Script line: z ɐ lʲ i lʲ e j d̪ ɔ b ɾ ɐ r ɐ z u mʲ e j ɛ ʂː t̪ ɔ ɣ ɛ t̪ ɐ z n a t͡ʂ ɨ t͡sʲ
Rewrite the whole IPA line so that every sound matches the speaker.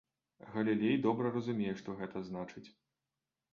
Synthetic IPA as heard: ɣ ɐ lʲ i lʲ e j d̪ ɔ b ɾ ɐ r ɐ z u mʲ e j ɛ ʂ t̪ ɔ ɣ ɛ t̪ ɐ z n a t͡ʂ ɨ t͡sʲ